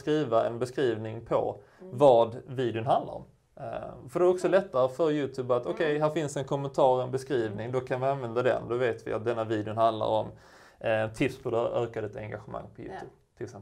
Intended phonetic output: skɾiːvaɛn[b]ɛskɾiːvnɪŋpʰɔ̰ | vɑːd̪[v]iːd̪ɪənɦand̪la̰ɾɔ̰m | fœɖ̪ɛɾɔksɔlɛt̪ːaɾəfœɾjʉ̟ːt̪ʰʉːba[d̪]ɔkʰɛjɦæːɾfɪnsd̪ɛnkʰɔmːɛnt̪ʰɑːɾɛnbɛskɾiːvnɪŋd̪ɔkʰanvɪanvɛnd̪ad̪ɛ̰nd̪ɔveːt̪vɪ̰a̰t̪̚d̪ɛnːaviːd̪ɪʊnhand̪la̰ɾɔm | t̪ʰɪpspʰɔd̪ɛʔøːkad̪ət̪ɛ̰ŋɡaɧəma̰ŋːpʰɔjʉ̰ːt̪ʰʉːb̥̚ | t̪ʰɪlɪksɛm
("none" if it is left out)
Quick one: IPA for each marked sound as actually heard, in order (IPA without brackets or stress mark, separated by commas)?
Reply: b, v, t̪